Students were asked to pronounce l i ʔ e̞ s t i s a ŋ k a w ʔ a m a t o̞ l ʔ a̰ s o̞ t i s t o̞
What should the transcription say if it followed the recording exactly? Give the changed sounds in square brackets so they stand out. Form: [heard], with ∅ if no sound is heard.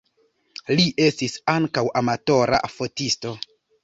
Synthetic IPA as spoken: l i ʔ e̞ s t i s a ŋ k a w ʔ a m a t o̞ [ɾ] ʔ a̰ [f] o̞ t i s t o̞